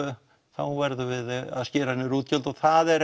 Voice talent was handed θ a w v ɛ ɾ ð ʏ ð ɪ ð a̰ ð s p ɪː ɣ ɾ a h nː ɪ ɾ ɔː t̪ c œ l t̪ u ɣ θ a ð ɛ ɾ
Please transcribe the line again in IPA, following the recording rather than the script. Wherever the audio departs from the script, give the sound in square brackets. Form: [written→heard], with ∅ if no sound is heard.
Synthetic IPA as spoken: θ a w v ɛ ɾ ð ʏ [ð→v] ɪ ð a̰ ð s [p→c] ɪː [ɣ→∅] ɾ a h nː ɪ ɾ [ɔː→uː] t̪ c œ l t̪ [u→ɔ] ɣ θ a ð ɛ ɾ